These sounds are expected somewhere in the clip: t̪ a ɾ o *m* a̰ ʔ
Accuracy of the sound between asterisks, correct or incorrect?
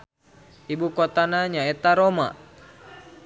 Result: correct